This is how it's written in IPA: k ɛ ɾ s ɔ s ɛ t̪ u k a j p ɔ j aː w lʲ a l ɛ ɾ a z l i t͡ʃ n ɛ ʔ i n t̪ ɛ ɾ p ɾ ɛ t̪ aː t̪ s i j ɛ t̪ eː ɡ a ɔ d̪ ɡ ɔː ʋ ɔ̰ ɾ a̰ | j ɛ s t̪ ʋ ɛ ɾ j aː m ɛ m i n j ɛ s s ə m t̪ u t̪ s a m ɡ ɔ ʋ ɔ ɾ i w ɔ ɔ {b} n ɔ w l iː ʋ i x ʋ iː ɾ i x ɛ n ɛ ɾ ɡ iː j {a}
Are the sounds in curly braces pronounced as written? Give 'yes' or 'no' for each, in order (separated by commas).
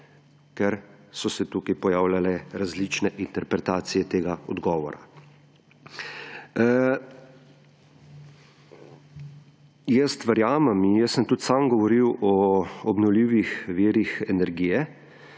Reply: yes, no